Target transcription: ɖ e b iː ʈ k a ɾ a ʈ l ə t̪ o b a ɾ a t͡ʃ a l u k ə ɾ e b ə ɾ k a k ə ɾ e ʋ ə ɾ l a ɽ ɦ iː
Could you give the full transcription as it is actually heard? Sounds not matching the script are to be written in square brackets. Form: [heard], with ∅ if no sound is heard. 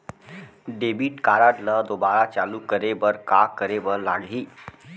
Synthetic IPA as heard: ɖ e b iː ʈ k a ɾ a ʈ l ə [d̪] o b a ɾ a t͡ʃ a l u k ə ɾ e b ə ɾ k a k ə ɾ e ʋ ə ɾ l a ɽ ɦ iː